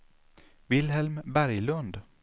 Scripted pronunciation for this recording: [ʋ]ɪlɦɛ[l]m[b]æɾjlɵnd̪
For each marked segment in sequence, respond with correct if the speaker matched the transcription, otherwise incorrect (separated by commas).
incorrect, correct, correct